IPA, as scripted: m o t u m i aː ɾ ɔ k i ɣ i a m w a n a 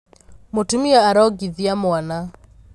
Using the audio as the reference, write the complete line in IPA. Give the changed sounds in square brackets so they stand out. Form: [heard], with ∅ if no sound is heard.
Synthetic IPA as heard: m o t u m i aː ɾ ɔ [ɡ] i [ð] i a m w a n a